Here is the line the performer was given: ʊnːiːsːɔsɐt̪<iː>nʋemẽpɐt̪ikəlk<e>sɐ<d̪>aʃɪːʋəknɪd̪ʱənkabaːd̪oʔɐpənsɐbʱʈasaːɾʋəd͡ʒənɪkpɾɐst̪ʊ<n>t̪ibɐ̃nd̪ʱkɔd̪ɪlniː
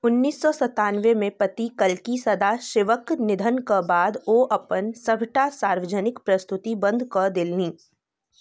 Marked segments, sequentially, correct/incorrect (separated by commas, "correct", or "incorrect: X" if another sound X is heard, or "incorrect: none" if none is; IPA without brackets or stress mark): incorrect: aː, incorrect: i, correct, incorrect: none